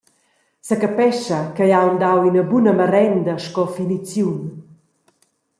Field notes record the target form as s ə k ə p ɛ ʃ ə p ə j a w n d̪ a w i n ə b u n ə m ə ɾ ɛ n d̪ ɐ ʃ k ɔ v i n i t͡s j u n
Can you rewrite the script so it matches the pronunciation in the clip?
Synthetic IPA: s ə k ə p ɛ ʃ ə k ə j a w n d̪ a w i n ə b u n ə m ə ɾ ɛ n d̪ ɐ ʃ k ɔ f i n i t͡s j u n